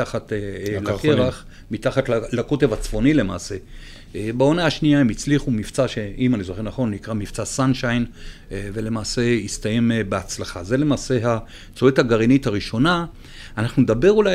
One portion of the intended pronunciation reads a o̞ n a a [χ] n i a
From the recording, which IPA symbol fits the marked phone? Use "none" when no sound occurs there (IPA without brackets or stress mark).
ʃ